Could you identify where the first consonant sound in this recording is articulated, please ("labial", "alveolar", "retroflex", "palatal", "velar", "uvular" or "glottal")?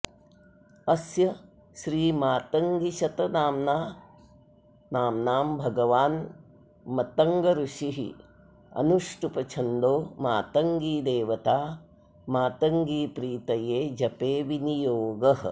alveolar